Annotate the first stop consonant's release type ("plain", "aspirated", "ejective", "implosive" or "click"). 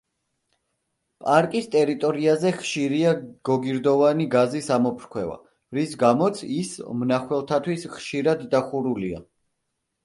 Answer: ejective